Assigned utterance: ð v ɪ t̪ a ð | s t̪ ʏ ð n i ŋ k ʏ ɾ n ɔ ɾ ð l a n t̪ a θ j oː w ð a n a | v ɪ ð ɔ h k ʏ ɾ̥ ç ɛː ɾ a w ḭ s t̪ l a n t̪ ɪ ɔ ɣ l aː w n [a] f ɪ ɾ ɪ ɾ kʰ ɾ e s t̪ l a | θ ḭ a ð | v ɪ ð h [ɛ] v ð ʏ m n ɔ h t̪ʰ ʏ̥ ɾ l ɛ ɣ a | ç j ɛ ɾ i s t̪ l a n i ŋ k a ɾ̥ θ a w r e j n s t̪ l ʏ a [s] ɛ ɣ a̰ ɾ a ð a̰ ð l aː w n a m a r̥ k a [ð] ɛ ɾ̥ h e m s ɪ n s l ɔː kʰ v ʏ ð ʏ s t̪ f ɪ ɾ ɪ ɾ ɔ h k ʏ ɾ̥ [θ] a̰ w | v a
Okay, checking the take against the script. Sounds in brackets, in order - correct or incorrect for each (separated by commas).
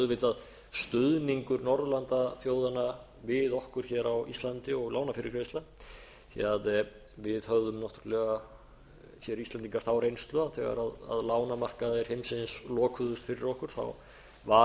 correct, incorrect, incorrect, correct, correct